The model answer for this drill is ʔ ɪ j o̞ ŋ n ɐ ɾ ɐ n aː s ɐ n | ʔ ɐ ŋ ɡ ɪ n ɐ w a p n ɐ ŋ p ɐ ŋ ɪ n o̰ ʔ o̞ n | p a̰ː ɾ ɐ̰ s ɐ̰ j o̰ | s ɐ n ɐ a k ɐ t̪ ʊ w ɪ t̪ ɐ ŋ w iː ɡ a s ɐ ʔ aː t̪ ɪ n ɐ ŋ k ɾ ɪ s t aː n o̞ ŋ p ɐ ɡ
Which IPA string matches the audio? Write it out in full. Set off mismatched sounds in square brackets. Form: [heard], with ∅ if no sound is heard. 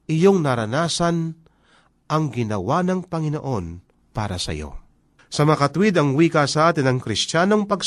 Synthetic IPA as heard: ʔ ɪ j o̞ ŋ n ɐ ɾ ɐ n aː s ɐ n | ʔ ɐ ŋ ɡ ɪ n ɐ w a [∅] n ɐ ŋ p ɐ ŋ ɪ n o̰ ʔ o̞ n | p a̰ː ɾ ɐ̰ s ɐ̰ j o̰ | s ɐ [m] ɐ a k ɐ t̪ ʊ w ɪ [d̪] ɐ ŋ w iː [k] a s ɐ ʔ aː t̪ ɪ n ɐ ŋ k ɾ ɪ s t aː n o̞ ŋ p ɐ ɡ